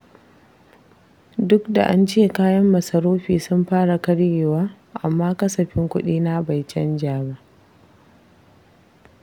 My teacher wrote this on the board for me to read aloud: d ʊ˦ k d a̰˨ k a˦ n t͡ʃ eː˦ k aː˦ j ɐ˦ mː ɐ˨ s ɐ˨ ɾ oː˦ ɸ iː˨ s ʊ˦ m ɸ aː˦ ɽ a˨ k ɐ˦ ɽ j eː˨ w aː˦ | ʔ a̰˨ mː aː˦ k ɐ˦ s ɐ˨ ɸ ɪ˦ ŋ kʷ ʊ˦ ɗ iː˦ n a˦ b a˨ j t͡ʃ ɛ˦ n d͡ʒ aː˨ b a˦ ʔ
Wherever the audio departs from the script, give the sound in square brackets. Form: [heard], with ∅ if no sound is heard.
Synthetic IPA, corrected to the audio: d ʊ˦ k d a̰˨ [ʔ] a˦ n t͡ʃ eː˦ k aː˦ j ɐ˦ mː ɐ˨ s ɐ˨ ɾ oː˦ ɸ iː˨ s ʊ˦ m ɸ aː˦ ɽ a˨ k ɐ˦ ɽ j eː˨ w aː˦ | ʔ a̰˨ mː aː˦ k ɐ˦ s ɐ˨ ɸ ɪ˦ ŋ kʷ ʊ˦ ɗ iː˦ n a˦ b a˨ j t͡ʃ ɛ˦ n d͡ʒ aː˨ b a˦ ʔ